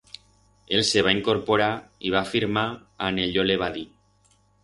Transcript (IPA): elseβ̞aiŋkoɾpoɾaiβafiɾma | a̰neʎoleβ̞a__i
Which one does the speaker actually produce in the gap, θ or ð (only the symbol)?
ð